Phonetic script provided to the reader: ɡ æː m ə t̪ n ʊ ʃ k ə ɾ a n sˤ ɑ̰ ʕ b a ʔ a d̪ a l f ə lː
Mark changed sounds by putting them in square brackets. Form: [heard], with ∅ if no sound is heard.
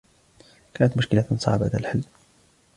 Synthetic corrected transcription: [k] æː [n] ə t̪ [m] ʊ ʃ k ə [l] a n sˤ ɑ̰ ʕ b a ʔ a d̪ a l [ħ] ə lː

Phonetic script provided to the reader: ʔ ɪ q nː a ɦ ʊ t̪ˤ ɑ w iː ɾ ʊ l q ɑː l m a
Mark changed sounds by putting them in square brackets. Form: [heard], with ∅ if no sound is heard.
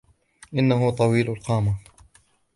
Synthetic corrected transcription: ʔ ɪ [∅] nː a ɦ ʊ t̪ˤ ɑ w iː [l] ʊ l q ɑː [∅] m a

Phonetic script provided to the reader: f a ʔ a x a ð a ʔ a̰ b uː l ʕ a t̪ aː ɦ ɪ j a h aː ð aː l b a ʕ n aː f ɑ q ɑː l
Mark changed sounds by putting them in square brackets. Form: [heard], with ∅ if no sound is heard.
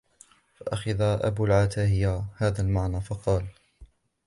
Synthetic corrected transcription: f a ʔ a x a ð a ʔ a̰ b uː l ʕ a t̪ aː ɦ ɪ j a h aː ð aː l [m] a ʕ n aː f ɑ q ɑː l

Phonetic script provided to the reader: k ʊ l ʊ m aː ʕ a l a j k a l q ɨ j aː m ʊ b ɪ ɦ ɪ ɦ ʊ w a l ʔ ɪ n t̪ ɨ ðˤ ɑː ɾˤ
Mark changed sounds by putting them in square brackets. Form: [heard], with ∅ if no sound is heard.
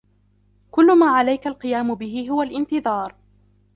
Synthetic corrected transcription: k ʊ [lː] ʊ m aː ʕ a l a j k a l q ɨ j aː m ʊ b ɪ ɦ ɪ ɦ ʊ w a l ʔ ɪ n t̪ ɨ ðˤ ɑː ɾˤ

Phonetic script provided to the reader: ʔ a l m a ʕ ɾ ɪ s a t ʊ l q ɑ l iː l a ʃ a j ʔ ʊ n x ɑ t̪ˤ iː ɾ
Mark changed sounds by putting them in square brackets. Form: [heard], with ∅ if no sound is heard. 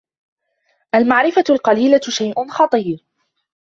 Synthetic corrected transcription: ʔ a l m a ʕ ɾ ɪ [f] a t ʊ l q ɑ l iː l a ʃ a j ʔ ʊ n x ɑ t̪ˤ iː ɾ

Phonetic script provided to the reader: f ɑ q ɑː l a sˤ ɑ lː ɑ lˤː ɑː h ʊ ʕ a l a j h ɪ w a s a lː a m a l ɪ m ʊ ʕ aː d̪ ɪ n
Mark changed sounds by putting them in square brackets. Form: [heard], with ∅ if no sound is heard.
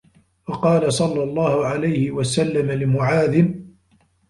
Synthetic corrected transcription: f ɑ q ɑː l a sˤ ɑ lː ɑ lˤː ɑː h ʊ ʕ a l a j h ɪ w a s a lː a m a l ɪ m ʊ ʕ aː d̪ ɪ n

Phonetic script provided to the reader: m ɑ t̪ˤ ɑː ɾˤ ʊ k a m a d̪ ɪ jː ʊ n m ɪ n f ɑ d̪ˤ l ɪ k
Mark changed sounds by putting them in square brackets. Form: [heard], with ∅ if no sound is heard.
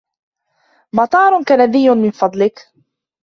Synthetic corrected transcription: m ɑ t̪ˤ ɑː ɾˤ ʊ k a [n] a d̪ ɪ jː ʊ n m ɪ n f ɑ d̪ˤ l ɪ k

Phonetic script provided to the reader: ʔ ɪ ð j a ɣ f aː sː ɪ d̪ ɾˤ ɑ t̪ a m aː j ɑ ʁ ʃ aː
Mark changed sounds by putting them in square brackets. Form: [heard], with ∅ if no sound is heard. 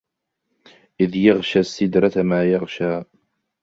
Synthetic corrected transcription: ʔ ɪ ð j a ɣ [ʃ] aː sː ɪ d̪ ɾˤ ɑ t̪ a m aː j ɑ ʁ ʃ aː

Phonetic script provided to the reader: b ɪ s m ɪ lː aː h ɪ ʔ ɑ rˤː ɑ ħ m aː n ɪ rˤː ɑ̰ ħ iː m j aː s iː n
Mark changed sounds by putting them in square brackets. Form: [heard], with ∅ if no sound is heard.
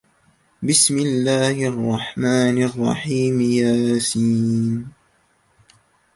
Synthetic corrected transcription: b ɪ s m ɪ lː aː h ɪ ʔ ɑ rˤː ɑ ħ m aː n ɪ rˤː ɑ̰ ħ iː m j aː s iː n

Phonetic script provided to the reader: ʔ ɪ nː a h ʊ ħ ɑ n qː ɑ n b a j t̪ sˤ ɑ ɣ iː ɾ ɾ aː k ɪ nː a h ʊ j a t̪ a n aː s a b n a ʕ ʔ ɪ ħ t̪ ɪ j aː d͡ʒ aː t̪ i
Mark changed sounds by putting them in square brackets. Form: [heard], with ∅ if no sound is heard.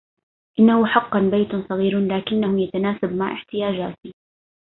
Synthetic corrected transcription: ʔ ɪ nː a h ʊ ħ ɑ [∅] qː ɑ n b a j t̪ sˤ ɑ ɣ iː ɾ [l] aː k ɪ nː a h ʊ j a t̪ a n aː s a b [m] a ʕ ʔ ɪ ħ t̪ ɪ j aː d͡ʒ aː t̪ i

